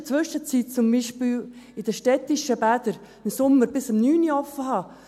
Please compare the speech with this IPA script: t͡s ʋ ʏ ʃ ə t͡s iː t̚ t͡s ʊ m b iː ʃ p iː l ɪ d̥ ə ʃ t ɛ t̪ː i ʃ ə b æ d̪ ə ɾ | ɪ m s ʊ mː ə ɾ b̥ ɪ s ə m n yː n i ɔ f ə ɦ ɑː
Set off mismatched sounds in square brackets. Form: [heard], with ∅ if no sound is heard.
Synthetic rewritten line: t͡s ʋ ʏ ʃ ə t͡s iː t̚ t͡s ʊ m b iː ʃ p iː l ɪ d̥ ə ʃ t ɛ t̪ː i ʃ ə b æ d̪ ə ɾ | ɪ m s ʊ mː ə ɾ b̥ ɪ s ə m n yː n i ɔ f ə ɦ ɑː